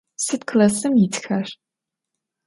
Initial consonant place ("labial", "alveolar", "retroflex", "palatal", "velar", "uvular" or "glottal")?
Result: alveolar